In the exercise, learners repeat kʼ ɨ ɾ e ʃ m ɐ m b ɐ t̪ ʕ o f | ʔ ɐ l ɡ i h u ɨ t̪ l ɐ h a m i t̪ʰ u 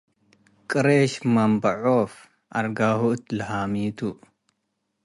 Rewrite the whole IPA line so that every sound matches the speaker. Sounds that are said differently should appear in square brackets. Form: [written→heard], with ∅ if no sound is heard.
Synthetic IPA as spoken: kʼ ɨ ɾ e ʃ m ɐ m b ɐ [t̪→∅] ʕ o f | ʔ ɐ [l→ɾ] ɡ [i→a] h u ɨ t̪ l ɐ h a m i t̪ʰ u